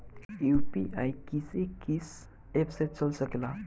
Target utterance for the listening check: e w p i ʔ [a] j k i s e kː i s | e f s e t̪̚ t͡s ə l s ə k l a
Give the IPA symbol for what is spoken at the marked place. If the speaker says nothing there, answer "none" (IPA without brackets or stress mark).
a